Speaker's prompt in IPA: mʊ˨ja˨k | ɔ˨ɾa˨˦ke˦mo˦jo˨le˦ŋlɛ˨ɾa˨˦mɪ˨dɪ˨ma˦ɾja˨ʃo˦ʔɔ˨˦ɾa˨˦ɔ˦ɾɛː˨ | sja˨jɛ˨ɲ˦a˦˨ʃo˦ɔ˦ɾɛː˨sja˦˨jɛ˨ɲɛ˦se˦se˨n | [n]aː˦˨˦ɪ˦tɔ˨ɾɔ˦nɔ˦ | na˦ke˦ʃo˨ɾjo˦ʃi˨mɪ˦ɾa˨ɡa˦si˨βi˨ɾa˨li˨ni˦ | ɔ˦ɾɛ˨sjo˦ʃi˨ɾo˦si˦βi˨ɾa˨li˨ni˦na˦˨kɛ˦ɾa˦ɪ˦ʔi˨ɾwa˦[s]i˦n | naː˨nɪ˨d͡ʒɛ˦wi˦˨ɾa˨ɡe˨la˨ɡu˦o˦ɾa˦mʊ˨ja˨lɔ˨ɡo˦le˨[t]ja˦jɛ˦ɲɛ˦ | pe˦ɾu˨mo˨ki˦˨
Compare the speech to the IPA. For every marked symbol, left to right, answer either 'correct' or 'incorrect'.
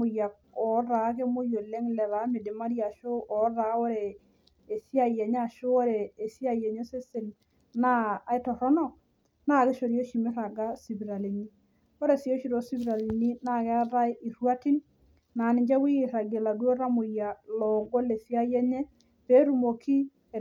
correct, incorrect, incorrect

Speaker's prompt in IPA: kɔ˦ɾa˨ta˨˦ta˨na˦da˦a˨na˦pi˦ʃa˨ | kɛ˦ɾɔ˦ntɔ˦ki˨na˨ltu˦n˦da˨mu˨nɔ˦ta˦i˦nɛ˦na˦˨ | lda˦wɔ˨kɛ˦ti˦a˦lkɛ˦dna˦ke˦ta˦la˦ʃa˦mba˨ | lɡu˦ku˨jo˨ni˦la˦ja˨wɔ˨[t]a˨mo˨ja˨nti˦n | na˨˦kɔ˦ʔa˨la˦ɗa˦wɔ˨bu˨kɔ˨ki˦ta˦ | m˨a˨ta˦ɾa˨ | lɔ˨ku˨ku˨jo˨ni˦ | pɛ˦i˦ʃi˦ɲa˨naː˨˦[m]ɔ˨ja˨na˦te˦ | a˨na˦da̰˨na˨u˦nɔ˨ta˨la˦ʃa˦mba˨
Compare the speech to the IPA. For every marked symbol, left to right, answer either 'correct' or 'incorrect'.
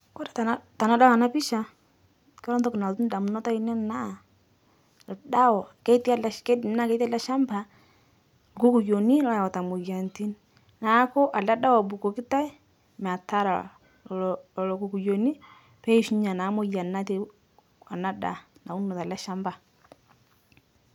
correct, correct

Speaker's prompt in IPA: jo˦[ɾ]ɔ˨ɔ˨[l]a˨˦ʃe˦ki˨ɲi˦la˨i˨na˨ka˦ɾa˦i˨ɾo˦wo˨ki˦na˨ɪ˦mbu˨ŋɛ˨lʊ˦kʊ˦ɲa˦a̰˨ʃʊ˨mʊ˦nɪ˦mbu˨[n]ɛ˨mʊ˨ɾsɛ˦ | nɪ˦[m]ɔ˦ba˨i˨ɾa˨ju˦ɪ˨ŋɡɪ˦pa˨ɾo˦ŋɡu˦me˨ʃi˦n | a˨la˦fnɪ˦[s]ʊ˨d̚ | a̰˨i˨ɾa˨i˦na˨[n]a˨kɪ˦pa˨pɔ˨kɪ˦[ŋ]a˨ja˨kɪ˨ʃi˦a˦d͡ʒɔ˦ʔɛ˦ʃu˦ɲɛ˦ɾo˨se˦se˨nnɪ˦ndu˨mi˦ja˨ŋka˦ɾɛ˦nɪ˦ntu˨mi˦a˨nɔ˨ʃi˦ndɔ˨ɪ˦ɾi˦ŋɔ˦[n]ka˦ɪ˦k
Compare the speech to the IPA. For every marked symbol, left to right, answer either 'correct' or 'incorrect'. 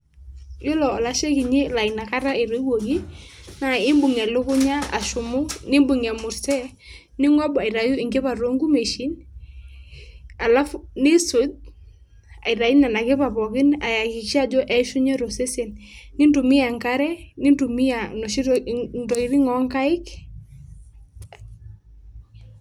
incorrect, correct, incorrect, incorrect, correct, correct, incorrect, incorrect

